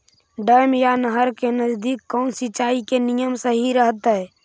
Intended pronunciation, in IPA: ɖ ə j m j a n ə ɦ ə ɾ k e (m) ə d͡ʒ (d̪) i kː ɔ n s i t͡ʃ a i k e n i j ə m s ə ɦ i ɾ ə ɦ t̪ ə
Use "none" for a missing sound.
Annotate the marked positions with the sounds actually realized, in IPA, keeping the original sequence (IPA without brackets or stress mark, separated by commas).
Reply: n, d̪